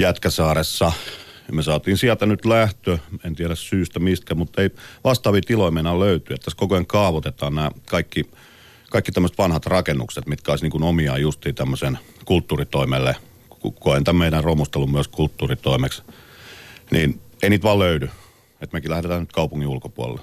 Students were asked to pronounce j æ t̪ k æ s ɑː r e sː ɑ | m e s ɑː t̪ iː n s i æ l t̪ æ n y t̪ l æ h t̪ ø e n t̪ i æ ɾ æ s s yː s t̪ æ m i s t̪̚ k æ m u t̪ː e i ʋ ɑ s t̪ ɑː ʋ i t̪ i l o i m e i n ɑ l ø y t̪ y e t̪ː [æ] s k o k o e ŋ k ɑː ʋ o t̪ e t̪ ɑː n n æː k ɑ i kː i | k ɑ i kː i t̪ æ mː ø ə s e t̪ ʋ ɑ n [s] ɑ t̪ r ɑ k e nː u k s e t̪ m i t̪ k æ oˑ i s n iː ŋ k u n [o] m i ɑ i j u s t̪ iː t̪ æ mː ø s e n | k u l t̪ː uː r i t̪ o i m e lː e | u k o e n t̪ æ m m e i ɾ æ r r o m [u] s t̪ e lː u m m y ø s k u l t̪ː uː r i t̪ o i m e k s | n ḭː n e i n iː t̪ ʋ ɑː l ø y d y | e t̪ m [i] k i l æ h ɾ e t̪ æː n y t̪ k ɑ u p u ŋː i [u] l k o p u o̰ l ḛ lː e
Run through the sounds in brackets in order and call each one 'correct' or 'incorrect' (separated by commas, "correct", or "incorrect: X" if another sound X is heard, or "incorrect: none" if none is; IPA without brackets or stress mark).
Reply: correct, incorrect: h, correct, correct, incorrect: e, correct